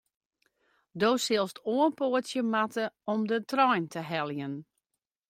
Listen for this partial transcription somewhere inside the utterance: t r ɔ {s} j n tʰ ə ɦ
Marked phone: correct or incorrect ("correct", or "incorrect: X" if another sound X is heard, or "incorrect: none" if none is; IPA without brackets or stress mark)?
incorrect: none